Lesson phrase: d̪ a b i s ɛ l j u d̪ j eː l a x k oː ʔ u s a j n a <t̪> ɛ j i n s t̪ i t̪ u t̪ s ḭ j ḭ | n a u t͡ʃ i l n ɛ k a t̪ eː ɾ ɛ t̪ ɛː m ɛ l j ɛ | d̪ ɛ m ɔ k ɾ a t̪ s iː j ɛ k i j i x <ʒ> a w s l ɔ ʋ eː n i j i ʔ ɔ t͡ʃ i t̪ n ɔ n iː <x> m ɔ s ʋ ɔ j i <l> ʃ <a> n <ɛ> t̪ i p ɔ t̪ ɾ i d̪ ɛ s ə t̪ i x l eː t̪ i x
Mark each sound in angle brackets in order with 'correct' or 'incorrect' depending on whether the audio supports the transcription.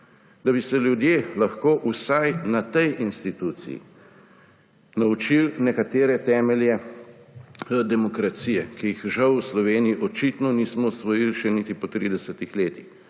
correct, correct, incorrect: s, correct, incorrect: ɛ, incorrect: i

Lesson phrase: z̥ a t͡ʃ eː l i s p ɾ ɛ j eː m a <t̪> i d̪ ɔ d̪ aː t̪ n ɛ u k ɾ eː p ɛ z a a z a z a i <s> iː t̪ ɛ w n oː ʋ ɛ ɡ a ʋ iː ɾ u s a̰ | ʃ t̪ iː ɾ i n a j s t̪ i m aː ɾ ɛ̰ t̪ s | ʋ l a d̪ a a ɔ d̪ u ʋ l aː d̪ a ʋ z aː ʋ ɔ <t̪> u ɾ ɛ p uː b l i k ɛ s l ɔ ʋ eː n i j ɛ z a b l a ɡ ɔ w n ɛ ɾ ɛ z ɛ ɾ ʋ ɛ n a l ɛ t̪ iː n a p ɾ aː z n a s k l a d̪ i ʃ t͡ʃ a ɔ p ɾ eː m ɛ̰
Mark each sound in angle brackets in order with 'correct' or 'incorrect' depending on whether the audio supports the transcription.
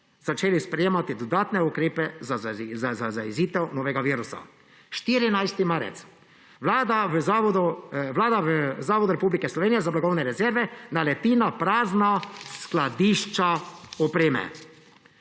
correct, incorrect: z, incorrect: d̪

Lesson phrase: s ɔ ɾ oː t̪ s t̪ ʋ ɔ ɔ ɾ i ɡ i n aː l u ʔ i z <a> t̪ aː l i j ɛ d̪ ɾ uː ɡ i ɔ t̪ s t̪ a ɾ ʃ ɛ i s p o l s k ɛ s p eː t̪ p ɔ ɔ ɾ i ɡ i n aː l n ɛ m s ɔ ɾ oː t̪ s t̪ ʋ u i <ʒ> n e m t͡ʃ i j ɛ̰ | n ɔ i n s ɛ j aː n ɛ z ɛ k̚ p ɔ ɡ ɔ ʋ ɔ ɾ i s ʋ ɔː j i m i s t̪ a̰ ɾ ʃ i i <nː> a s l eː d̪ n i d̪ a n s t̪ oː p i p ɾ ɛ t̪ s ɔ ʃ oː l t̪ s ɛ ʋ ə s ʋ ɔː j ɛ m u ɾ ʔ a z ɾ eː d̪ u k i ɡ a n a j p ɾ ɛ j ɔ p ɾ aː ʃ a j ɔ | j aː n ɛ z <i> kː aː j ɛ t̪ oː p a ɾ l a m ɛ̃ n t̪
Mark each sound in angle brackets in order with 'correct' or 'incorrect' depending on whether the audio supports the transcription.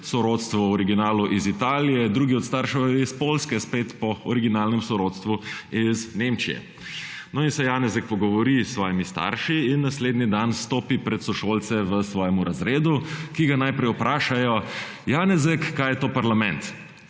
incorrect: i, incorrect: z, correct, incorrect: ɛ

